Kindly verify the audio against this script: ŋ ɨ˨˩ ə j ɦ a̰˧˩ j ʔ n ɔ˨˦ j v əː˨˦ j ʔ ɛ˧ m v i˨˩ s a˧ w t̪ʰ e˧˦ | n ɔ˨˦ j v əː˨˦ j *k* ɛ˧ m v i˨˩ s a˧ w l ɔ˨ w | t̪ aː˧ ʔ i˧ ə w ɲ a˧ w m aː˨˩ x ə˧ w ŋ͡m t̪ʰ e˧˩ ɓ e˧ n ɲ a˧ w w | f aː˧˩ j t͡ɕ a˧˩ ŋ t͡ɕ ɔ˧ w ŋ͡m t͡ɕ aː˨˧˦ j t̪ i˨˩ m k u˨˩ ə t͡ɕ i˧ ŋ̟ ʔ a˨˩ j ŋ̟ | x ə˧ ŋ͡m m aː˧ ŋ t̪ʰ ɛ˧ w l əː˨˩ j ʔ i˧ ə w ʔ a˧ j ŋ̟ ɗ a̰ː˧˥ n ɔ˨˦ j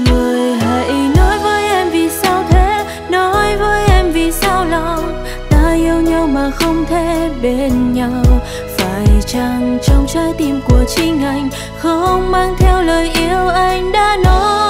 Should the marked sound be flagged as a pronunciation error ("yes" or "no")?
yes